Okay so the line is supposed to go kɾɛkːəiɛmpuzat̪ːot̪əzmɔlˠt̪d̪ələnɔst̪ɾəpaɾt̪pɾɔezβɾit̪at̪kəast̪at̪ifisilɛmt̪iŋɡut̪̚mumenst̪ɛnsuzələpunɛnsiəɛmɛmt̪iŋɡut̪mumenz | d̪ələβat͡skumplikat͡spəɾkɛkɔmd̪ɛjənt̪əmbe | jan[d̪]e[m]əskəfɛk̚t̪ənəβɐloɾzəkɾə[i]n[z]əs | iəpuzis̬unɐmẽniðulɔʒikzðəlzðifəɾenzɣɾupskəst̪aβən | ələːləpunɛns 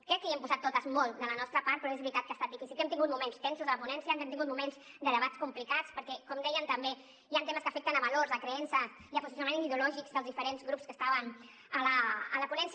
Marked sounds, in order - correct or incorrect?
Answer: incorrect: t̪, correct, incorrect: ɛ, incorrect: s

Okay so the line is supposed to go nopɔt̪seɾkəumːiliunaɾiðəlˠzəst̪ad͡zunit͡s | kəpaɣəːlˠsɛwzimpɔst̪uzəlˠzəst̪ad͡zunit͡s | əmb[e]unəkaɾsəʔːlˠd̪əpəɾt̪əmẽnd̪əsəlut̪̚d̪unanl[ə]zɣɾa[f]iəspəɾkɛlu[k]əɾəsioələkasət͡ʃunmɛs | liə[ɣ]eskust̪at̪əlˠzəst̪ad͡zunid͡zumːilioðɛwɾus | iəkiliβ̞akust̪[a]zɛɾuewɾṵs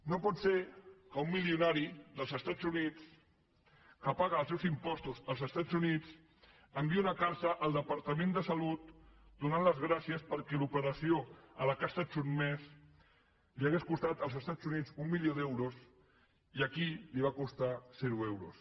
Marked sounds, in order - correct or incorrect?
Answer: incorrect: i, correct, incorrect: s, incorrect: p, correct, correct

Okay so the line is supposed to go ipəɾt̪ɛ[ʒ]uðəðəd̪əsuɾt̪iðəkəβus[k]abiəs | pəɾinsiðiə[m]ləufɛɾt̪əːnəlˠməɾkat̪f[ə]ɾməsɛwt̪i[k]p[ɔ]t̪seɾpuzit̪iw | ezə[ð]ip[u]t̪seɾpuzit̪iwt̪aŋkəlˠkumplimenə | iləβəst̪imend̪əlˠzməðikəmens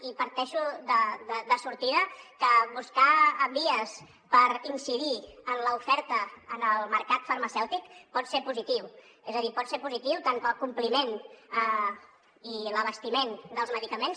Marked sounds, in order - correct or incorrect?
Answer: incorrect: ʃ, correct, incorrect: n, correct, correct, correct, correct, incorrect: ɔ

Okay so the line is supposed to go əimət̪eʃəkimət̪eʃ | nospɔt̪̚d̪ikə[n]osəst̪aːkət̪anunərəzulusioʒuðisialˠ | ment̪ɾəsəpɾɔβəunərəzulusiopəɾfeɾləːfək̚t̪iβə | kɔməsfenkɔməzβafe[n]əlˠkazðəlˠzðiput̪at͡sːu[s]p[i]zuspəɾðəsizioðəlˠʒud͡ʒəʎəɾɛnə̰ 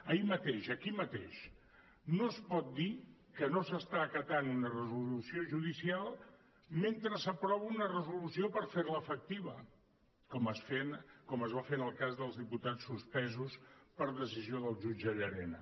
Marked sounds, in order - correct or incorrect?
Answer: correct, correct, correct, incorrect: ɛ

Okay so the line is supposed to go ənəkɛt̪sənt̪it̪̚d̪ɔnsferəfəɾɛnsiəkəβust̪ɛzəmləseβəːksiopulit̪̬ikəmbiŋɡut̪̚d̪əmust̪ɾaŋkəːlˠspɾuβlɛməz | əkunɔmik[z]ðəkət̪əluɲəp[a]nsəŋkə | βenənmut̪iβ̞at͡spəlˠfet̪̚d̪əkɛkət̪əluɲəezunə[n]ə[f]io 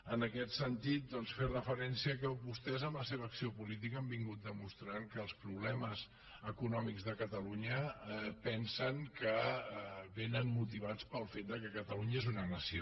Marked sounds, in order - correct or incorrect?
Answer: correct, incorrect: ɛ, correct, incorrect: s

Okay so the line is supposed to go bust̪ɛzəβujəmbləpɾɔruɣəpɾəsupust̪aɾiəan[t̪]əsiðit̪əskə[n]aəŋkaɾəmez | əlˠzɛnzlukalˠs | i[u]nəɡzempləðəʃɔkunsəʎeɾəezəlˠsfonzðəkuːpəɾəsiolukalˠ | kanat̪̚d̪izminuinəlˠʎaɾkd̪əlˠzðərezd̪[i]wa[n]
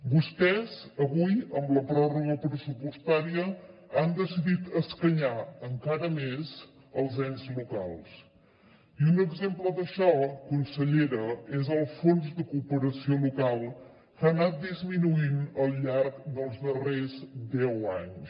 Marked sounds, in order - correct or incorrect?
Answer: incorrect: d̪, incorrect: ɲ, correct, incorrect: ɛ, incorrect: ɲ

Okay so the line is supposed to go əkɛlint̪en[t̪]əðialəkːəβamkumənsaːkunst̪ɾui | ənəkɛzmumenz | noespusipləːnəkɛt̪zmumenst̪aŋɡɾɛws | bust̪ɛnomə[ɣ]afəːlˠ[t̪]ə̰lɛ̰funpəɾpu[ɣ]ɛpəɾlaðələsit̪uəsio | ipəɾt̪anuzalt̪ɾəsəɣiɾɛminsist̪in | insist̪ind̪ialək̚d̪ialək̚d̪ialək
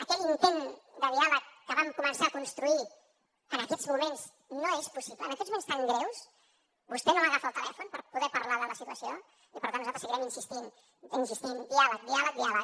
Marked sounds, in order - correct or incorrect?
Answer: incorrect: d̪, correct, correct, incorrect: ð

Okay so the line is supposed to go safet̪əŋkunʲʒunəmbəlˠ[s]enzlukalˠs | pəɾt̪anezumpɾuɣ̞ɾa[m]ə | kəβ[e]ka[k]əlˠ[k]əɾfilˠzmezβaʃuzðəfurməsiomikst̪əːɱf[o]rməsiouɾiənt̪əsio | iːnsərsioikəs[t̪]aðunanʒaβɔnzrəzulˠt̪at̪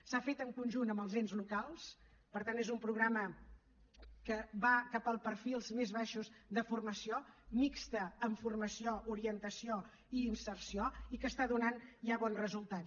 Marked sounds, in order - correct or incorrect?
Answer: incorrect: z, correct, incorrect: a, incorrect: p, incorrect: p, incorrect: u, correct

